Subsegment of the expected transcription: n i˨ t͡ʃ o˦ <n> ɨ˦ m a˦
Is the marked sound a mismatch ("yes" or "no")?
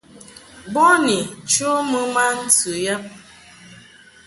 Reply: yes